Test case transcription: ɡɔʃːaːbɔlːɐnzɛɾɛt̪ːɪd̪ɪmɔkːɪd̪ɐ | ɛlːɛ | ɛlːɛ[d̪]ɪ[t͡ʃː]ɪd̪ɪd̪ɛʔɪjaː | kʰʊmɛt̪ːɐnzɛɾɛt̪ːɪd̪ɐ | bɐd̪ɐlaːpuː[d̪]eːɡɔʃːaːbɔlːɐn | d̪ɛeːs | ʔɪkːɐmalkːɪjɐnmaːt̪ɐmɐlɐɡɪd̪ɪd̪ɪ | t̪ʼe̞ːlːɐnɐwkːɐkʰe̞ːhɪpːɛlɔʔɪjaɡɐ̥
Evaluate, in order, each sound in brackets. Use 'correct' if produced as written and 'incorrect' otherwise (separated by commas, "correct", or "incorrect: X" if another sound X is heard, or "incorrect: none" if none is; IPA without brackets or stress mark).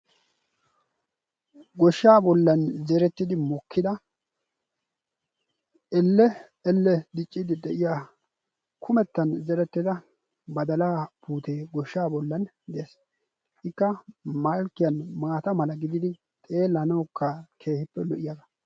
correct, incorrect: t͡ʃʼː, incorrect: t̪